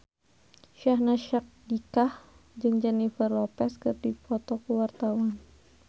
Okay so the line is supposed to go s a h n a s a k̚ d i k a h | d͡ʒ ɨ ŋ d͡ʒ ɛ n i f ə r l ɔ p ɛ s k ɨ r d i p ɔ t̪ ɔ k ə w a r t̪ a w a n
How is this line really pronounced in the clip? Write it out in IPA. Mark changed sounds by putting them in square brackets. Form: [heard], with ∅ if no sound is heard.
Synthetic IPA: [ʃ] a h n a [ʃ] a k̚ d i k a h | d͡ʒ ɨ ŋ d͡ʒ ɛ n i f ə r l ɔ p ɛ s k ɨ r d i p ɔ t̪ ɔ k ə w a r t̪ a w a n